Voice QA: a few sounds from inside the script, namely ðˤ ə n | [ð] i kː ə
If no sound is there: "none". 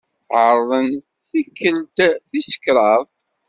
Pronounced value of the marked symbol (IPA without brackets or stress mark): θ